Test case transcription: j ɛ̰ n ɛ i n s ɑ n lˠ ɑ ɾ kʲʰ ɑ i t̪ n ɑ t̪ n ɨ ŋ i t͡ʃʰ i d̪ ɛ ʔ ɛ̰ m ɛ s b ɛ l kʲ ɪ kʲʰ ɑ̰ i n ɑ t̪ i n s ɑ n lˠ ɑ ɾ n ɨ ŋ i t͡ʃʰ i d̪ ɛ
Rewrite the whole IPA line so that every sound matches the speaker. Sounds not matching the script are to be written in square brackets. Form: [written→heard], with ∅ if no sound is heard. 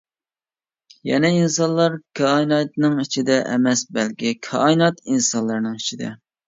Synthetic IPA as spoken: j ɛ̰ n ɛ i n s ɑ n lˠ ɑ ɾ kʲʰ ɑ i [t̪→∅] n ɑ t̪ n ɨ ŋ i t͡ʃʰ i d̪ ɛ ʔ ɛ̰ m ɛ s b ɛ l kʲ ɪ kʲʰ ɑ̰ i n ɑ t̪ i n s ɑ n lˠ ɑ ɾ n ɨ ŋ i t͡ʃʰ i d̪ ɛ